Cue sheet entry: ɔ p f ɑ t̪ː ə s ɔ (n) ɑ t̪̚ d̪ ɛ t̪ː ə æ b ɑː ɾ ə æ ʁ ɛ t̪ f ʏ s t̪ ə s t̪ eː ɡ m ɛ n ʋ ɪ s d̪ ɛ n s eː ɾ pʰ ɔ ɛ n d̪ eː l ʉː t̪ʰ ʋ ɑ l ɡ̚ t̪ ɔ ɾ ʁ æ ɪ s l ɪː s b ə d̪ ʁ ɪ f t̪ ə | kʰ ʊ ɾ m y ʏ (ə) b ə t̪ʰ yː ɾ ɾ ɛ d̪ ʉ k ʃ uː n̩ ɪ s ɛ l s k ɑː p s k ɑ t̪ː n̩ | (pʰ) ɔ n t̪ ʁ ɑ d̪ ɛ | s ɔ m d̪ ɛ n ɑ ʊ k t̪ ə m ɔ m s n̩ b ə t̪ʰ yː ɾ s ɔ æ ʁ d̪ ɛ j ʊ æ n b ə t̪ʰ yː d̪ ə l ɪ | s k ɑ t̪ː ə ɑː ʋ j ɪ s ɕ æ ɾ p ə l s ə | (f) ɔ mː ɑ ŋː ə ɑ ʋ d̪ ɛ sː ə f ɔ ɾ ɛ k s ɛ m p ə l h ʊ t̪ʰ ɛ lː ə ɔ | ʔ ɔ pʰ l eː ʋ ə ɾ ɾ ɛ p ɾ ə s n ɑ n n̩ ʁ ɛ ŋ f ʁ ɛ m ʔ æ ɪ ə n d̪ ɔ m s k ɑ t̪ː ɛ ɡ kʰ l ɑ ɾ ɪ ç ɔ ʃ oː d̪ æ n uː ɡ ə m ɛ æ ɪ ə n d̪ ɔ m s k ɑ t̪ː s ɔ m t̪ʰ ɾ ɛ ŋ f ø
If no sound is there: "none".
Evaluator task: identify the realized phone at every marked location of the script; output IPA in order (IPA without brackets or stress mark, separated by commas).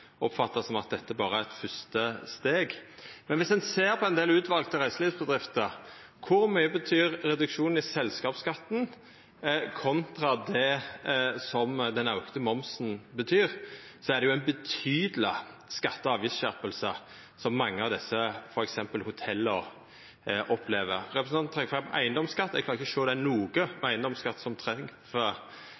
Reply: m, ə, kʰ, s